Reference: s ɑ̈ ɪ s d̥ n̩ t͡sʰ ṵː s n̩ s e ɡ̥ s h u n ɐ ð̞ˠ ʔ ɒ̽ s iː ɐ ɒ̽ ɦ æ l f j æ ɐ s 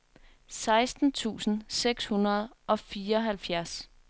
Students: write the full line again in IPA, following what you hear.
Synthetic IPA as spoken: s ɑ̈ ɪ s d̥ n̩ t͡sʰ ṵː s n̩ s e ɡ̥ s h u n ɐ ð̞ˠ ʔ ɒ̽ f iː ɐ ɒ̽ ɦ æ l f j æ ɐ s